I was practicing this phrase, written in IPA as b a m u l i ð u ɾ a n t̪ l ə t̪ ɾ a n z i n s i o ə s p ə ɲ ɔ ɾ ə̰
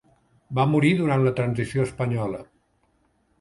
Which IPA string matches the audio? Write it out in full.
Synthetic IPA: b a m u ɾ i ð u ɾ a n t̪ l ə t̪ ɾ ə n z i s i o ə s p ə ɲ ɔ l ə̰